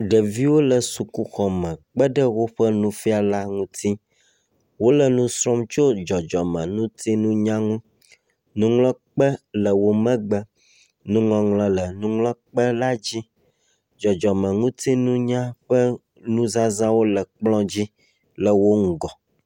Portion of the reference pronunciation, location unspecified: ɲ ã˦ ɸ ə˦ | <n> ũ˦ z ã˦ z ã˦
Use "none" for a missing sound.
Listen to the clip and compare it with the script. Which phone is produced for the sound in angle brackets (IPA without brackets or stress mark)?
n